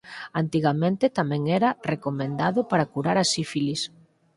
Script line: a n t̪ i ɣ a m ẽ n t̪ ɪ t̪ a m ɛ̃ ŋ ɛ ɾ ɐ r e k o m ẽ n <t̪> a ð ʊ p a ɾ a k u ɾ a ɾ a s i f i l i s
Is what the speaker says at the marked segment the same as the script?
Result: no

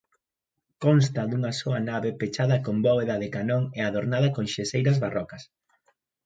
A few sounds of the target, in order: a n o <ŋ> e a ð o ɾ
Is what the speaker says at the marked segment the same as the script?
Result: yes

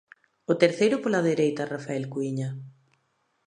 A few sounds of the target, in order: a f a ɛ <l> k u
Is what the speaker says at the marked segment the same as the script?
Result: yes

